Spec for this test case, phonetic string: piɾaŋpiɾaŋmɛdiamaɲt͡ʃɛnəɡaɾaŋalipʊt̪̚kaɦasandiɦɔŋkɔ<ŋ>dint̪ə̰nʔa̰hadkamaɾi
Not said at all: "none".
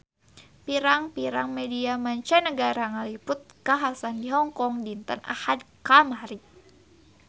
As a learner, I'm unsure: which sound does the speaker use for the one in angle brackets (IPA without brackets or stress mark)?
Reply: ŋ